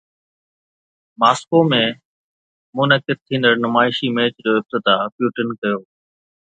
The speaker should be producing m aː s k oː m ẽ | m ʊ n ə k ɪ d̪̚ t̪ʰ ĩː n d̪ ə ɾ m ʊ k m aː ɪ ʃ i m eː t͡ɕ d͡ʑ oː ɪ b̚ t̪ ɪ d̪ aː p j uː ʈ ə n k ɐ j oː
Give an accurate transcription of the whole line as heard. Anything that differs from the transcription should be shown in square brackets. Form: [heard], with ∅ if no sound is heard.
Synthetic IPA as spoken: m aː s k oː m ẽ | m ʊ n ə k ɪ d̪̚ t̪ʰ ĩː n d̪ ə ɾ [n] ʊ [∅] m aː ɪ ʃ i m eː t͡ɕ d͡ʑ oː ɪ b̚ t̪ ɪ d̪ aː p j uː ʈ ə n k ɐ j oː